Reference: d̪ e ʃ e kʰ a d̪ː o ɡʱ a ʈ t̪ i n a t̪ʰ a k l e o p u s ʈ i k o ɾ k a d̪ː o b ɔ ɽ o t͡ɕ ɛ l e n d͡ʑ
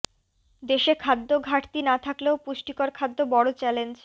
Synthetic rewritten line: d̪ e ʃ e kʰ a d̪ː o ɡʱ a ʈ t̪ i n a t̪ʰ a k l e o p u ʃ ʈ i k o ɾ kʰ a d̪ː o b ɔ ɽ o t͡ɕ ɛ l e n d͡ʑ